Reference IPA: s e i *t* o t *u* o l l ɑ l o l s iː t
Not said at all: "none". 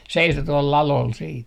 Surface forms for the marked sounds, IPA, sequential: s, u

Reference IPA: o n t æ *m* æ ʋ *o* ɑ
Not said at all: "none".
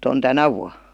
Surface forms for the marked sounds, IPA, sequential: n, u

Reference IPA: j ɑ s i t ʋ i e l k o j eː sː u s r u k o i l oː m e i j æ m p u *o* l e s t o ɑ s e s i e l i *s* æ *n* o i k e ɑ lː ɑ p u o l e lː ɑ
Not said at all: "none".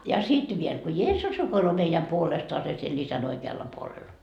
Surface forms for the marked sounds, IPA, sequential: o, s, n

